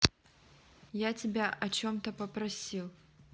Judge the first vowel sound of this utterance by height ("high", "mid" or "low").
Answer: low